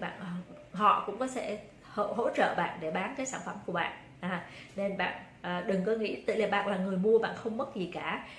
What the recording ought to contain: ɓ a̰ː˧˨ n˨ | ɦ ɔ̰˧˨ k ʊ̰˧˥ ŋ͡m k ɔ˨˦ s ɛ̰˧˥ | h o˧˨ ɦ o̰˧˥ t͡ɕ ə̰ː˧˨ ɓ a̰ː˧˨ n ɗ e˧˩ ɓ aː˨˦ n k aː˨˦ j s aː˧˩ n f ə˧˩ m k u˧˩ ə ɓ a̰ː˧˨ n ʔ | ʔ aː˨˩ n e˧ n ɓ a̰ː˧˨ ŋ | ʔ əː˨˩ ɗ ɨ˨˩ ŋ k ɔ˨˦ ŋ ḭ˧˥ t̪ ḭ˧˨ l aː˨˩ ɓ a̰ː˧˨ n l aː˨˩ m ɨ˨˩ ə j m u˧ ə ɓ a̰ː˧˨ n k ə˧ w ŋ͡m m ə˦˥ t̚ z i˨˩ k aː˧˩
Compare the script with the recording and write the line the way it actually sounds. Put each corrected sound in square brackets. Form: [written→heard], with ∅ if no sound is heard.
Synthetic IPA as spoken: ɓ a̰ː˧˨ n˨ | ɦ ɔ̰˧˨ k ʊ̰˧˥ ŋ͡m k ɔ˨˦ s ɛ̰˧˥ | h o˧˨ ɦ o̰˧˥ t͡ɕ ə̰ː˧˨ ɓ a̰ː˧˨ n ɗ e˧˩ ɓ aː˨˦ n k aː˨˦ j s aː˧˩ n f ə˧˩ m k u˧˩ ə ɓ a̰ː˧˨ n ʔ | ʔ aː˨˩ n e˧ n ɓ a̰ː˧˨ [ŋ→n] | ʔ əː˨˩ ɗ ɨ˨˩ ŋ k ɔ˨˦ ŋ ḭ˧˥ t̪ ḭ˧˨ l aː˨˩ ɓ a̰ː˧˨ n l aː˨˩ [m→ŋ] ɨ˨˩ ə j m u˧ ə ɓ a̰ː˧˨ n [k→x] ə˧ w ŋ͡m m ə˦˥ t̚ z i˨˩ k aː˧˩